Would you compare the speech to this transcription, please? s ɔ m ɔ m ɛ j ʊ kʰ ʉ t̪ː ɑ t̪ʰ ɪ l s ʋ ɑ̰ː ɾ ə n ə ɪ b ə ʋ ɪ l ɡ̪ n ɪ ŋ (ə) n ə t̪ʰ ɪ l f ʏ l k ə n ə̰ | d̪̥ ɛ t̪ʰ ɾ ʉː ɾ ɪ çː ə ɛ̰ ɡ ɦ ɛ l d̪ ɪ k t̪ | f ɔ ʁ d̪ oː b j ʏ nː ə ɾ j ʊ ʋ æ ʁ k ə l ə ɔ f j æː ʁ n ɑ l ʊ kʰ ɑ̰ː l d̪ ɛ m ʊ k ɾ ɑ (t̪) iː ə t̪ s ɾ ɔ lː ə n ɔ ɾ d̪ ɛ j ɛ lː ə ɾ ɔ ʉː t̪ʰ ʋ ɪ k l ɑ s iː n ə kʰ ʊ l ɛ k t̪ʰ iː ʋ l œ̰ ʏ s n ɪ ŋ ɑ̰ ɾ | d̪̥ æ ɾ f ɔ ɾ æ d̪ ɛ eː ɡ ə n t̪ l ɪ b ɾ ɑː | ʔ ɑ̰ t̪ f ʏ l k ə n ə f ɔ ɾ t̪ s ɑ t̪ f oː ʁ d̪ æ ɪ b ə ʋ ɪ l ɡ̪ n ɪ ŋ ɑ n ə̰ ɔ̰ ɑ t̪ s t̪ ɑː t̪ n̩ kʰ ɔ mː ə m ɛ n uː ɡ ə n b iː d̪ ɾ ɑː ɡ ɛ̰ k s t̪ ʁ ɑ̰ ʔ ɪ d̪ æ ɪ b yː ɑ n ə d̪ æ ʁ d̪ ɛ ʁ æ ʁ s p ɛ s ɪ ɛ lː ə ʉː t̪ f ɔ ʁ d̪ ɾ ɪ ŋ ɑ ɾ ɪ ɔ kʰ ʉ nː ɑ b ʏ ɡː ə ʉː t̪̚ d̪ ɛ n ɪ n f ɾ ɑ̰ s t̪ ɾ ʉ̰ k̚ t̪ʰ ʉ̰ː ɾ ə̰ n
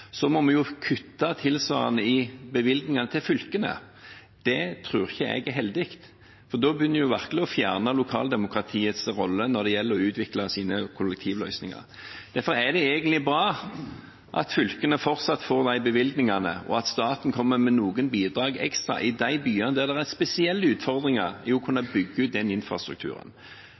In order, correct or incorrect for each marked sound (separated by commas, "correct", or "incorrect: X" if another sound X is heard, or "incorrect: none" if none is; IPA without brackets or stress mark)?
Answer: incorrect: ɑ, incorrect: t̪ʰ